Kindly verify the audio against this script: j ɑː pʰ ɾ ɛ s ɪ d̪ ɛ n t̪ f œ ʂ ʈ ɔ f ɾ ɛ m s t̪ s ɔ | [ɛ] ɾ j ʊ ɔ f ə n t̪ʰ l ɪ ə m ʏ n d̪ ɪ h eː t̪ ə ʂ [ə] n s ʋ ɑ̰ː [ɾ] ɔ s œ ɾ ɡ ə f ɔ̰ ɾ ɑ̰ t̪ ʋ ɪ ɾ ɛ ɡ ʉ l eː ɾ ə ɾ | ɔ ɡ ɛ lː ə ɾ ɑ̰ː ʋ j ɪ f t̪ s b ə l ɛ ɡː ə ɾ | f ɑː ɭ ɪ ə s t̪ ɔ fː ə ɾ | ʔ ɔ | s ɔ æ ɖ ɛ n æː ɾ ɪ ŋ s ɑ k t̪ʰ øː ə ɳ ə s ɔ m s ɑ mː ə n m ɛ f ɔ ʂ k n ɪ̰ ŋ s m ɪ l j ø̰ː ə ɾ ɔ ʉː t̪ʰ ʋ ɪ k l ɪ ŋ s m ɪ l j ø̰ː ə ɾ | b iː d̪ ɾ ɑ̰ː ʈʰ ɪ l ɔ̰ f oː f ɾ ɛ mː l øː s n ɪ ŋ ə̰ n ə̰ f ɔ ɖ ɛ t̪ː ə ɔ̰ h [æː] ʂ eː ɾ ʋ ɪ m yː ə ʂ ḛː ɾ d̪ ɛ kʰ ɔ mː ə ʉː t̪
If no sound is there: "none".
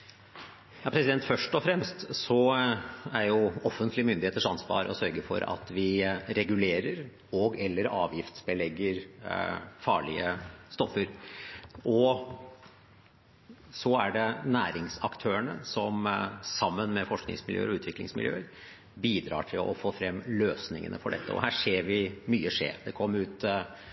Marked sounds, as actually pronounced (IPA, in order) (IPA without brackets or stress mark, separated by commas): æ, ɑ, ɾ, æː